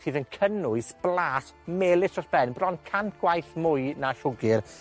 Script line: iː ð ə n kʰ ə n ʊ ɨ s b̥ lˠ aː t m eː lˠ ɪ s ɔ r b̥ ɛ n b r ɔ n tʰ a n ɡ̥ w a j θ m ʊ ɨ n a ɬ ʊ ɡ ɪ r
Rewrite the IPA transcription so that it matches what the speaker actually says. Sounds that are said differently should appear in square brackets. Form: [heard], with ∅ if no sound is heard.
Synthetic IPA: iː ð ə n kʰ ə n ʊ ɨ s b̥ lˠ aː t m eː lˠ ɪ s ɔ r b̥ ɛ n b r ɔ n [kʰ] a n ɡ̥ w a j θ m ʊ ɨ n a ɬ ʊ ɡ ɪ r